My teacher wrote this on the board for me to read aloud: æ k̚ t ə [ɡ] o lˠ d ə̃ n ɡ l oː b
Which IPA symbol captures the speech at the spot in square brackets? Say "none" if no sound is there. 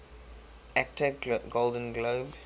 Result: ɡ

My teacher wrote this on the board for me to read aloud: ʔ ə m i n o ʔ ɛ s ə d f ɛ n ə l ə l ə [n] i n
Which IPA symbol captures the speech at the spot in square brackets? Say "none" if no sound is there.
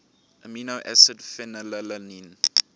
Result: n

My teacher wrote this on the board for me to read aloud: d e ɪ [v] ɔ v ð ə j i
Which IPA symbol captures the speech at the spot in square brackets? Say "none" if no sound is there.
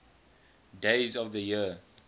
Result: z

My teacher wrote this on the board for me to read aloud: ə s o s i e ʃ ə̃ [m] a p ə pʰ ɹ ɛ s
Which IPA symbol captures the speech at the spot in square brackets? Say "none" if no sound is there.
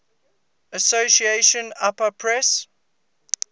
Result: n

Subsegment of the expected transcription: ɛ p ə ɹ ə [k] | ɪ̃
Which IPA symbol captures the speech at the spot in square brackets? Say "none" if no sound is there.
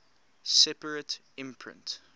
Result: t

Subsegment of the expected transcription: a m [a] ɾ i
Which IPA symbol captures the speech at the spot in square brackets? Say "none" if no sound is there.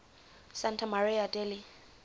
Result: a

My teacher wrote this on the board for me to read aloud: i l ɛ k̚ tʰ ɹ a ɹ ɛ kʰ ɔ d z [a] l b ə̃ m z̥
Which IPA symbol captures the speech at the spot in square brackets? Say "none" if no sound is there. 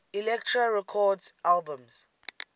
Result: a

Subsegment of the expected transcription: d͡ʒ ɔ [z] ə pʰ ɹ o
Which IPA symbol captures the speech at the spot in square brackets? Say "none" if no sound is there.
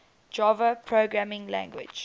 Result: v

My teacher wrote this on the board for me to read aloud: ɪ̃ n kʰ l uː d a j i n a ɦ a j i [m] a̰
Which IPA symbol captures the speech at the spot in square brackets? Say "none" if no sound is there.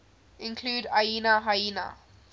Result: n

